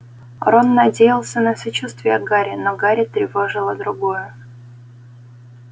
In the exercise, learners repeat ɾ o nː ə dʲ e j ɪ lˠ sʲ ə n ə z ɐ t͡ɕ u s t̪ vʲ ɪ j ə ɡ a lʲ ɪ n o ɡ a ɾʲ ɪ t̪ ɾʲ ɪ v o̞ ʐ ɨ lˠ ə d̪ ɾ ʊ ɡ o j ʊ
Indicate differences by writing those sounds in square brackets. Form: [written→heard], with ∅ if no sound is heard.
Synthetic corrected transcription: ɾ o nː [ə→ɐ] dʲ e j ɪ lˠ sʲ ə n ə [z→s] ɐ t͡ɕ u s t̪ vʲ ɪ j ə ɡ a [lʲ→ɾʲ] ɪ n o ɡ a ɾʲ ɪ t̪ ɾʲ ɪ v o̞ ʐ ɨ lˠ ə d̪ ɾ ʊ ɡ o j ʊ

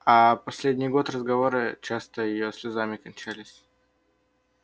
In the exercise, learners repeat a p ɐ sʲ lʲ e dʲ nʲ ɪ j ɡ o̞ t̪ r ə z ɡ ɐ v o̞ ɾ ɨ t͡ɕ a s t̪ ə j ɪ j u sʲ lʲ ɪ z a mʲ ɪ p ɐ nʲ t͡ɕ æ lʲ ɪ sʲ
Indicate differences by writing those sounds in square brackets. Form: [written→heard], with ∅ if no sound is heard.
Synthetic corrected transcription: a p ɐ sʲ lʲ e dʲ nʲ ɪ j ɡ o̞ t̪ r ə z ɡ ɐ v o̞ ɾ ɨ t͡ɕ a s t̪ ə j ɪ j [u→o] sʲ lʲ ɪ z a mʲ ɪ [p→k] ɐ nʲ t͡ɕ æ lʲ ɪ sʲ

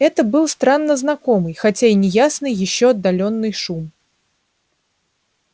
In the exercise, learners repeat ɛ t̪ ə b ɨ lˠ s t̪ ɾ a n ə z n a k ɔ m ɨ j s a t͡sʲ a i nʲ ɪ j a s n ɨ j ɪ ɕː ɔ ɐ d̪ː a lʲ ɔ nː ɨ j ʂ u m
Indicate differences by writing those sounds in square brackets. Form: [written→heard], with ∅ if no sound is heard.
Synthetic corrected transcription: ɛ t̪ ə b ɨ lˠ s t̪ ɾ a [n→nː] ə z n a k ɔ m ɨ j [s→x] a t͡sʲ a i nʲ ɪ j a s n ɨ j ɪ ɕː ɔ ɐ d̪ː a lʲ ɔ nː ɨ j ʂ u m

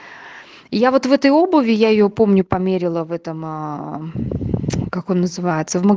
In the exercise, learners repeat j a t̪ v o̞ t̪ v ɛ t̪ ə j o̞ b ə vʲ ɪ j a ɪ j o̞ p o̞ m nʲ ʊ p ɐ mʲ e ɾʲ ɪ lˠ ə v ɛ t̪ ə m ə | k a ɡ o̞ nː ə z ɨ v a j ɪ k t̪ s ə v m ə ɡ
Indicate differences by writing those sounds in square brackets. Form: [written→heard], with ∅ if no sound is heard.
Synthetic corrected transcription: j a [t̪→∅] v o̞ t̪ v ɛ t̪ ə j o̞ b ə vʲ ɪ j a ɪ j o̞ p o̞ m nʲ ʊ p ɐ mʲ e ɾʲ ɪ lˠ ə v ɛ t̪ ə m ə | k a [ɡ→k] o̞ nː ə z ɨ v a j ɪ [k→∅] t̪ s ə v m ə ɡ

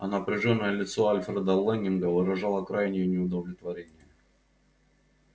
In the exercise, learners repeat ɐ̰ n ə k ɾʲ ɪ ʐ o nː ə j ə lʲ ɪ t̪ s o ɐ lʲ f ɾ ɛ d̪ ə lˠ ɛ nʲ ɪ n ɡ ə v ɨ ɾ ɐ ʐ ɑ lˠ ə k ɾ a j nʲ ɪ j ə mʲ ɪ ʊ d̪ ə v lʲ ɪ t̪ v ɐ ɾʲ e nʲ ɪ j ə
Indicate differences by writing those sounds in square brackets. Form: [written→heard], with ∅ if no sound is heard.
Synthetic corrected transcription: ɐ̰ n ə [k→p] ɾʲ ɪ ʐ o nː ə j ə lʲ ɪ t̪ s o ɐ lʲ f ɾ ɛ d̪ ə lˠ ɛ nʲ ɪ n ɡ ə v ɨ ɾ ɐ ʐ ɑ lˠ ə k ɾ a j nʲ ɪ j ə [mʲ→nʲ] ɪ ʊ d̪ ə v lʲ ɪ t̪ v ɐ ɾʲ e nʲ ɪ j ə

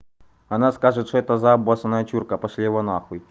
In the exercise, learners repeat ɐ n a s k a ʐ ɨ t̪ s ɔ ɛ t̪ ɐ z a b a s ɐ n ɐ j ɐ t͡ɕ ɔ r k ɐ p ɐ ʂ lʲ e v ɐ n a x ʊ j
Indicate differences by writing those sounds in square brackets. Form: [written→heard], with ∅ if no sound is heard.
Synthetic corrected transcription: ɐ n a s k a ʐ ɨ t̪ [s→ʂ] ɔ ɛ t̪ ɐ z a b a s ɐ n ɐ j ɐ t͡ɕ [ɔ→u] r k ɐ p ɐ ʂ lʲ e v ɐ n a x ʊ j

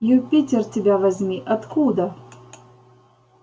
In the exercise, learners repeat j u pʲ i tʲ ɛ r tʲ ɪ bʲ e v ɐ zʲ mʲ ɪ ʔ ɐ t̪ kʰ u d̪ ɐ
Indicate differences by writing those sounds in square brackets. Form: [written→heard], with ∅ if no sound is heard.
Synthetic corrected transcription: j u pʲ i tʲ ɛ r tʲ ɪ bʲ [e→a] v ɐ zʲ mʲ [ɪ→i] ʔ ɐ t̪ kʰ u d̪ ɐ

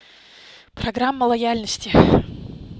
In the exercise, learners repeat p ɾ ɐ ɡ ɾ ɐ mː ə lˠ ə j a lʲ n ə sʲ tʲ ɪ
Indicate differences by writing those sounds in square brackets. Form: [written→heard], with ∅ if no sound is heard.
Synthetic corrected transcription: p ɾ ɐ ɡ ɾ [ɐ→a] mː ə lˠ [ə→ɐ] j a lʲ n ə sʲ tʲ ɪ

